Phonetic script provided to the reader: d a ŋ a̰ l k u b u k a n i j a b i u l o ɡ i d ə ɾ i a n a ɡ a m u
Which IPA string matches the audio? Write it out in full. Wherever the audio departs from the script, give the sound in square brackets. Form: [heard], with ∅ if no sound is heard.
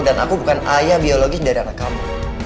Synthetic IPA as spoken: d a [n] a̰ [∅] k u b u k a n [a] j a b i [o] l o ɡ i d [a] ɾ i a n a [k] a m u

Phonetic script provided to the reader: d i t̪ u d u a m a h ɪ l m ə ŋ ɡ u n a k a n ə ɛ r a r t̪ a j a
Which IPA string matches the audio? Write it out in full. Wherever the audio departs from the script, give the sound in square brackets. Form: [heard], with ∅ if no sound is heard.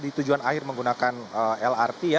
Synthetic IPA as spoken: d i t̪ u [d͡ʒ] u a [n] a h ɪ [r] m ə ŋ ɡ u n a k a n ə ɛ [l] a r t̪ [i] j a

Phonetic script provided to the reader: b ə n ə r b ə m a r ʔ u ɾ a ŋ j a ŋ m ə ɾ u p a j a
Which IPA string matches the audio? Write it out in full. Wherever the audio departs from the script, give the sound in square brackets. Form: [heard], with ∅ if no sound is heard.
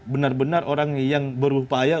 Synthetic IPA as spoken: b ə n [a] r b ə [n] a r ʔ [o] ɾ a ŋ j a ŋ [b] ə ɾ u p a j a

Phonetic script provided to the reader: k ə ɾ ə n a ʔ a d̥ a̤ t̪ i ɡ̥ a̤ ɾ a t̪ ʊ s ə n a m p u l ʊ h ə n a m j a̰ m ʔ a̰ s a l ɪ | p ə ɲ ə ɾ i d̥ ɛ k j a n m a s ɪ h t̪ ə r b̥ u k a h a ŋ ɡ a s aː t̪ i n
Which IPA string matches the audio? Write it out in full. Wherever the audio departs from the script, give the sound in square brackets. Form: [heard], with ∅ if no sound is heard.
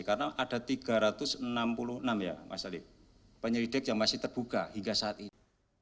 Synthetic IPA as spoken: k [a] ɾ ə n a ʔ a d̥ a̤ t̪ i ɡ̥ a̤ ɾ a t̪ ʊ s ə n a m p u l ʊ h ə n a m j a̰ m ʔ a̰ s a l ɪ | p ə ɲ ə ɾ i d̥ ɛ k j a [ŋ] m a s ɪ h t̪ ə r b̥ u k a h [i] ŋ ɡ a s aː t̪ i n

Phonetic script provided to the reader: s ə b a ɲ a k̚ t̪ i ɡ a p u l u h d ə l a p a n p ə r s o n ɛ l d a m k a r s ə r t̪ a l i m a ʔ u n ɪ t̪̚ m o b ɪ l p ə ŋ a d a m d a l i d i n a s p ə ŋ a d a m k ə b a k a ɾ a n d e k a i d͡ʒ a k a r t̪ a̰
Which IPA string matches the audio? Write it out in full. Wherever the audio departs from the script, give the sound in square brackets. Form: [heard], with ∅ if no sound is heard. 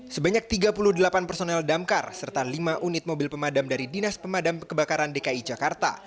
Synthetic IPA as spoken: s ə b a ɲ a k̚ t̪ i ɡ a p u l u h d ə l a p a n p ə r s o n ɛ l d a m k a r s ə r t̪ a l i m a ʔ u n ɪ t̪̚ m o b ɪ l p ə [m] a d a m d a [ɾ] i d i n a s p ə [m] a d a m k ə b a k a ɾ a n d e k a i d͡ʒ a k a r t̪ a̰

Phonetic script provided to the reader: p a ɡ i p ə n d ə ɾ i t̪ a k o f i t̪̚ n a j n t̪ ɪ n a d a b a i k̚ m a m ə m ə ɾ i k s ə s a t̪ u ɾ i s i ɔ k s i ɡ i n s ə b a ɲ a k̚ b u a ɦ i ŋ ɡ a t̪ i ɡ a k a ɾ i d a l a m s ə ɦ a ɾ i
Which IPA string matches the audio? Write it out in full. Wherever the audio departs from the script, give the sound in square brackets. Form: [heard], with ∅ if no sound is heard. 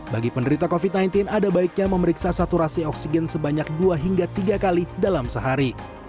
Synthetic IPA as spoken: [b] a ɡ i p ə n d ə ɾ i t̪ a k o f i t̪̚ n a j n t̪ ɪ n a d a b a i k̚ [ɲ] a m ə m ə ɾ i k s [a] s a t̪ u ɾ [a] s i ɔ k s i ɡ [ɛ] n s ə b a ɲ a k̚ [d] u a ɦ i ŋ ɡ a t̪ i ɡ a k a [l] i d a l a m s ə ɦ a ɾ i

